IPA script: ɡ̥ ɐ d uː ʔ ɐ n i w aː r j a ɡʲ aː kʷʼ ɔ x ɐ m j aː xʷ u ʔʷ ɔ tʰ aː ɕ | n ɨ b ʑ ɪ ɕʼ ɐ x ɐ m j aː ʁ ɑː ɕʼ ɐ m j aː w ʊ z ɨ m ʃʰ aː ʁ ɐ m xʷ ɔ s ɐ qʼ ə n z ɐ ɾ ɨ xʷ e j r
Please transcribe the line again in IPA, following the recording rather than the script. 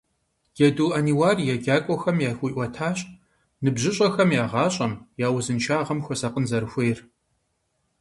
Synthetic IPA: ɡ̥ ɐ d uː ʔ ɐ n i w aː r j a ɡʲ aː kʷʼ ɔ x ɐ m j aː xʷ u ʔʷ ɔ tʰ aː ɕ | n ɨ b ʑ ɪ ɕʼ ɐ x ɐ m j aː ʁ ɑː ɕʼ ɐ m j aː w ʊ z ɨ n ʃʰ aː ʁ ɐ m xʷ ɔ s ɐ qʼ ə n z ɐ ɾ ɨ xʷ e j r